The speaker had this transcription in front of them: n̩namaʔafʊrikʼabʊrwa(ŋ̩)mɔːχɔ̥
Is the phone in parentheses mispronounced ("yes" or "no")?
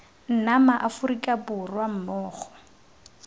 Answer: yes